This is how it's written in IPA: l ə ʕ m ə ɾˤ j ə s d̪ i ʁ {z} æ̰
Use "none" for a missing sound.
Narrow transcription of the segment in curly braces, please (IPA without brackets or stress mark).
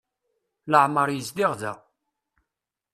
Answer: ð